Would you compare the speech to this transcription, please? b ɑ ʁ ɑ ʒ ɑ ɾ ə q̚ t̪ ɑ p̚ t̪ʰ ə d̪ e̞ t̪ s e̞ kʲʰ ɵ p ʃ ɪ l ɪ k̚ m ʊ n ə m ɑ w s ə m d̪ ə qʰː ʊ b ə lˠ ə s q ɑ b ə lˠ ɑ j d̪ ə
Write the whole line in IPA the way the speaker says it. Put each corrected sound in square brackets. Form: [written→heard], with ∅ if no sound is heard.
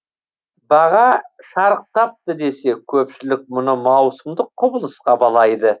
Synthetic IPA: b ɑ ʁ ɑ [ʒ→ʃ] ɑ ɾ ə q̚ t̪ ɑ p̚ [t̪ʰ→t̪] ə d̪ e̞ [t̪→∅] s e̞ kʲʰ ɵ p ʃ ɪ l ɪ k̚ m ʊ n ə m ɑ w s ə m d̪ ə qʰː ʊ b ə lˠ ə s q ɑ b [ə→ɑ] lˠ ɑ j d̪ ə